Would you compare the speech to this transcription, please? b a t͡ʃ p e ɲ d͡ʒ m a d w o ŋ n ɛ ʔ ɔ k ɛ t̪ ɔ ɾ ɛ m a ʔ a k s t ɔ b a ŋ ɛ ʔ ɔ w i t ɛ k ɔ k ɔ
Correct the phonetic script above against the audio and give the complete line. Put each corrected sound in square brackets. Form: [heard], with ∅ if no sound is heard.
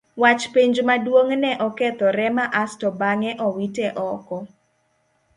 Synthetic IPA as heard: [w] a t͡ʃ p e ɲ d͡ʒ m a d w o ŋ n ɛ ʔ ɔ k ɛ t̪ ɔ ɾ ɛ m a ʔ a [∅] s t ɔ b a ŋ ɛ ʔ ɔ w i t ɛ [ʔ] ɔ k ɔ